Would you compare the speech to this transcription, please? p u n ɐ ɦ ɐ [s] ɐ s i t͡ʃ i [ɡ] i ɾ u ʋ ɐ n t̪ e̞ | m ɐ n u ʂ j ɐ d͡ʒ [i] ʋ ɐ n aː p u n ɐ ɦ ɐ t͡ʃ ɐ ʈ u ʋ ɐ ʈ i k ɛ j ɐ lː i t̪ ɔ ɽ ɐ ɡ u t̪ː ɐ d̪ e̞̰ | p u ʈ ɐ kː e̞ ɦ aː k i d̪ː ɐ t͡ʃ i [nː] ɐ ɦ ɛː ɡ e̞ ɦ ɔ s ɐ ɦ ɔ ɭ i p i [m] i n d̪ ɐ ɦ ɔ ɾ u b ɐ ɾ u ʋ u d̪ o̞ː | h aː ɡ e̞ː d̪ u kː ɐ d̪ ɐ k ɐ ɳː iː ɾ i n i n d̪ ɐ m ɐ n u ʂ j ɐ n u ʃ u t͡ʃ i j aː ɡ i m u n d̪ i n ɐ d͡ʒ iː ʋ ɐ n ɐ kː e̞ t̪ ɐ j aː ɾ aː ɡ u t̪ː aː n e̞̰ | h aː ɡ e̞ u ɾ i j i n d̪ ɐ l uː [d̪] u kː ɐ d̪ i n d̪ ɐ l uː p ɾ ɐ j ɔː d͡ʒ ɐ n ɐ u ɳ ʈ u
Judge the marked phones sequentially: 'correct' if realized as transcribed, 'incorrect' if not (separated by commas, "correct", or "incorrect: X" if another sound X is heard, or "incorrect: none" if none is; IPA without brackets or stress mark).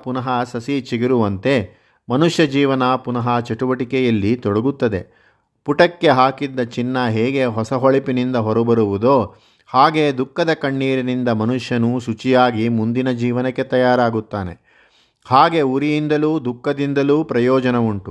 correct, correct, incorrect: iː, correct, incorrect: n, correct